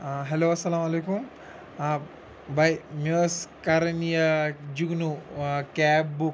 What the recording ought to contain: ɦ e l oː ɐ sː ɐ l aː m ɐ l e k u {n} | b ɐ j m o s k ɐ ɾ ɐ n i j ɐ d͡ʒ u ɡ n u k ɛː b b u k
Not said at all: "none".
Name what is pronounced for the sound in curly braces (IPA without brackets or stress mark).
m